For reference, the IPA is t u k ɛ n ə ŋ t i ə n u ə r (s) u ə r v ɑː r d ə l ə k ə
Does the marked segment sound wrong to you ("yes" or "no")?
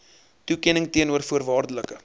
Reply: yes